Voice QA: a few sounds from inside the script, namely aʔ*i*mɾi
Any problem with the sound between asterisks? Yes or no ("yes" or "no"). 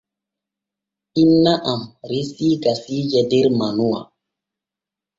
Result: yes